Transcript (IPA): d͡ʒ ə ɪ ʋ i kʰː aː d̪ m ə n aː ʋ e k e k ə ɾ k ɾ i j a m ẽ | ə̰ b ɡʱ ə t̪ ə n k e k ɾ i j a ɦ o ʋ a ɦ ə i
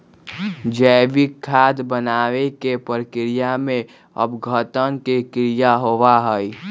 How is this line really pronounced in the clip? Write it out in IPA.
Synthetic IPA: d͡ʒ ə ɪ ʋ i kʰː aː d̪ b ə n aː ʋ e k e p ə ɾ k ɾ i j a m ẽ | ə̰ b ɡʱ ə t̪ ə n k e k ɾ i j a ɦ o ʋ a ɦ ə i